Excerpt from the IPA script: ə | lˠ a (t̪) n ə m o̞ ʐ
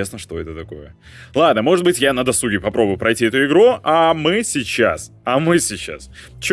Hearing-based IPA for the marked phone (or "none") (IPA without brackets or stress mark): d̪